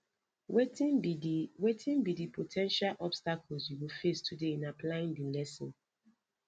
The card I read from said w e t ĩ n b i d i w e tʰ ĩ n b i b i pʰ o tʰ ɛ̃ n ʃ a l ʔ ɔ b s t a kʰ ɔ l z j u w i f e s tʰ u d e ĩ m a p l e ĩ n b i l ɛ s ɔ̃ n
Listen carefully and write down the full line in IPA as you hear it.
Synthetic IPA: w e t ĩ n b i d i w e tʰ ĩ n b i d i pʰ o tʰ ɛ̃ n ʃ a l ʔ ɔ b s t a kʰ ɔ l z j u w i f e s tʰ u d e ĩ n a p l a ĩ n d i l ɛ s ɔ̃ n